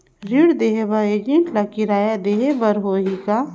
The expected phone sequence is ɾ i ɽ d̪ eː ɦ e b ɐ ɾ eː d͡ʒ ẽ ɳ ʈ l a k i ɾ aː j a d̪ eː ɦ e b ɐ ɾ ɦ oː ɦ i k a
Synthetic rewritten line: ɾ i ɽ d̪ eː ɦ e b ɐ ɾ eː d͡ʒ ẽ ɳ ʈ l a k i ɾ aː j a d̪ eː ɦ e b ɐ ɾ ɦ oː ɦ i k a